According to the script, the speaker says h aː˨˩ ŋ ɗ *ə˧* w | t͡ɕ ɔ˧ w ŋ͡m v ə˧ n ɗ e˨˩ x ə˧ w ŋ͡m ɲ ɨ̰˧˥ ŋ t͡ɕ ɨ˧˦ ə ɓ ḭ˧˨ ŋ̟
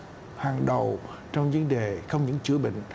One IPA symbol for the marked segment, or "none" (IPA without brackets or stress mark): ə˨˩